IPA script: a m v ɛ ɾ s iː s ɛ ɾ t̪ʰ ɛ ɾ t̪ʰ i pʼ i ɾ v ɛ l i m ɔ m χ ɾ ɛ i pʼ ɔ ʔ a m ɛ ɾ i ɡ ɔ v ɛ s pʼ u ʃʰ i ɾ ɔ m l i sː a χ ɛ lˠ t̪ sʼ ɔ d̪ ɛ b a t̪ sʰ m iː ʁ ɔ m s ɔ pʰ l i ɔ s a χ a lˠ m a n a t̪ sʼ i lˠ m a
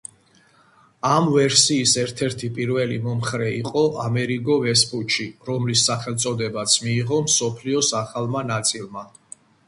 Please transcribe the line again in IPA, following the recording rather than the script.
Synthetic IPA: a m v ɛ ɾ s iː s ɛ ɾ t̪ʰ ɛ ɾ t̪ʰ i pʼ i ɾ v ɛ l i m ɔ m χ ɾ ɛ i qʼ ɔ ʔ a m ɛ ɾ i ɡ ɔ v ɛ s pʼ u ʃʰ i ɾ ɔ m l i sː a χ ɛ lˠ t̪ sʼ ɔ d̪ ɛ b a t̪ sʰ m iː ʁ ɔ m s ɔ pʰ l i ɔ s a χ a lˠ m a n a t̪ sʼ i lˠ m a